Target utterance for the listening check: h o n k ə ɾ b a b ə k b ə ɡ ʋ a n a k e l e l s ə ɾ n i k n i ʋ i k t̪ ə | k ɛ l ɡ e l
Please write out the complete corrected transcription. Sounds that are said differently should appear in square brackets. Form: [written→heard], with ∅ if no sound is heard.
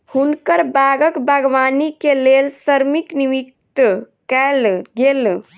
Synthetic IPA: h [o→u] n k ə ɾ b a [b→ɡ] ə k b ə ɡ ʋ a n [a→i] k e l e l s ə ɾ [n→m] i k n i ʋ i k t̪ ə | k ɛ l ɡ e l